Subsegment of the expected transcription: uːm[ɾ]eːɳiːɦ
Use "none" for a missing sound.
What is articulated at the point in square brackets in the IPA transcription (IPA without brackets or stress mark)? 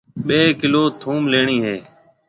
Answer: l